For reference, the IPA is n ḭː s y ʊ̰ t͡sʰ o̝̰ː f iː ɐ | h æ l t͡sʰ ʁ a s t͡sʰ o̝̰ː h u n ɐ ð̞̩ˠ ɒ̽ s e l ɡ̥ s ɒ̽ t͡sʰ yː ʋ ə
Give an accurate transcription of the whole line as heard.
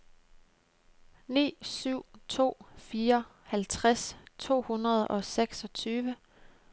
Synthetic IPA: n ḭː s y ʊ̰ t͡sʰ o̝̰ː f iː ɐ | h æ l t͡sʰ ʁ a s t͡sʰ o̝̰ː h u n ɐ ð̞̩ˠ ɒ̽ s e ɡ̥ s ɒ̽ t͡sʰ yː ʋ ə